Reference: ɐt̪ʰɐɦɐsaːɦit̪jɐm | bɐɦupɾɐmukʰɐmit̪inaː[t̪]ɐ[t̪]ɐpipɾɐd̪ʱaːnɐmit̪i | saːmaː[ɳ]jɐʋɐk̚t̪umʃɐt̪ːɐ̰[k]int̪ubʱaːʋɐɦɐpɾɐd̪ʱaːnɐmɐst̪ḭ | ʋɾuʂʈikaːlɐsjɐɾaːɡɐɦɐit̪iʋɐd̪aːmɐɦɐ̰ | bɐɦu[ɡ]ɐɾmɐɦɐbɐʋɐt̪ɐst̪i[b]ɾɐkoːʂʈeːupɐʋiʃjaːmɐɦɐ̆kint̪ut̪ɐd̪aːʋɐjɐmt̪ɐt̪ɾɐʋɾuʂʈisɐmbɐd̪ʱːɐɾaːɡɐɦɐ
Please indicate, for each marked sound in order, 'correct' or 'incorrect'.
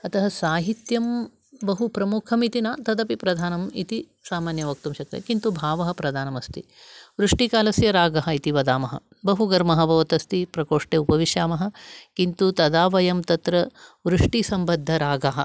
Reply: correct, incorrect, incorrect, correct, correct, incorrect

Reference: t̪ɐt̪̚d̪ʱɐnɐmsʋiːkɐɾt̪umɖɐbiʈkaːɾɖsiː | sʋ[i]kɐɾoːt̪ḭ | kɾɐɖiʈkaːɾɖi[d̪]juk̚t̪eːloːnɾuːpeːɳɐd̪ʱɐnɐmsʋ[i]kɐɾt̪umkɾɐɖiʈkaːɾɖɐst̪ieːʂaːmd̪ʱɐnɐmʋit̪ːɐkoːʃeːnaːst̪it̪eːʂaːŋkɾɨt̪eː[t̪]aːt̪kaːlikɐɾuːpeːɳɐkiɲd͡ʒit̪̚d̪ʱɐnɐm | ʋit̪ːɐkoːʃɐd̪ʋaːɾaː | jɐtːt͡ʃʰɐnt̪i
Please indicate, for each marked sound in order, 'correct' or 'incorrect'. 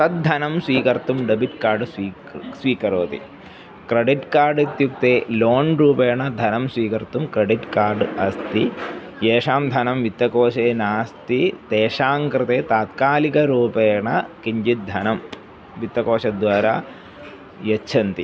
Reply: incorrect, incorrect, incorrect, correct

